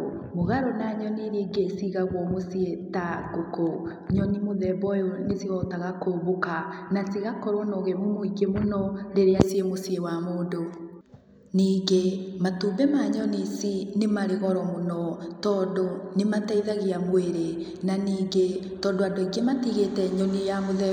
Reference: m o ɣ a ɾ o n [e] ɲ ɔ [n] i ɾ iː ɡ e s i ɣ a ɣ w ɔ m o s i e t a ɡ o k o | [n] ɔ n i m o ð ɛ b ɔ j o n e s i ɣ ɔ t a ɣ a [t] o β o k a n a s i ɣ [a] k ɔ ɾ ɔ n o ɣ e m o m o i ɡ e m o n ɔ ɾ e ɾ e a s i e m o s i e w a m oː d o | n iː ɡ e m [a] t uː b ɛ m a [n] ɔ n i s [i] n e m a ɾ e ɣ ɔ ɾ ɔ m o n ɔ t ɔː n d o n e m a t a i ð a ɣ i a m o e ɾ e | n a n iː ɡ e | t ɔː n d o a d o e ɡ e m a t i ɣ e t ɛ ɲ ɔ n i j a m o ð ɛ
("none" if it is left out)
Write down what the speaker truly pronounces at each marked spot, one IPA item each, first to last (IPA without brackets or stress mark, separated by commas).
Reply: a, n, ɲ, k, a, a, ɲ, i